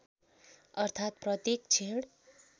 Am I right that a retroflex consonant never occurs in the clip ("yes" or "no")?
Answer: no